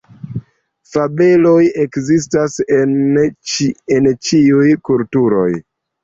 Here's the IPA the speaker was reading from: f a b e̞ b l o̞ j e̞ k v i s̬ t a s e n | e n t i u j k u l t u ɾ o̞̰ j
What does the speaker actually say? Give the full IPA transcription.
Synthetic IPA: f a b e̞ l o̞ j e̞ k z i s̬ t a s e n | e n t͡ʃ i u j k u l t u ɾ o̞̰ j